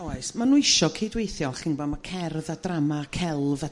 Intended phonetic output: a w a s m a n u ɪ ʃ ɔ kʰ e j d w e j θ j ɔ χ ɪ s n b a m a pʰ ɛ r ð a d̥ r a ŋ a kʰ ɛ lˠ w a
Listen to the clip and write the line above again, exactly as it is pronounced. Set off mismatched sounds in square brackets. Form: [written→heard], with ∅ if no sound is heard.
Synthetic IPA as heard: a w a s m a n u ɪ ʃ ɔ kʰ e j d w e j θ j ɔ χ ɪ [s→∅] n b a m a [pʰ→kʰ] ɛ r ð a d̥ r a [ŋ→m] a kʰ ɛ lˠ [w→v] a